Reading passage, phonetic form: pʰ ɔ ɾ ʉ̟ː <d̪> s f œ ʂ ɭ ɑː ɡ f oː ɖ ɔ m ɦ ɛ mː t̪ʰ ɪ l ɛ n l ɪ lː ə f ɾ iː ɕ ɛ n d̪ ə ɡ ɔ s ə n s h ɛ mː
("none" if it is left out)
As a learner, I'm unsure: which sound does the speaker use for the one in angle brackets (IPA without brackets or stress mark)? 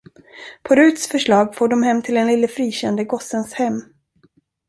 t̪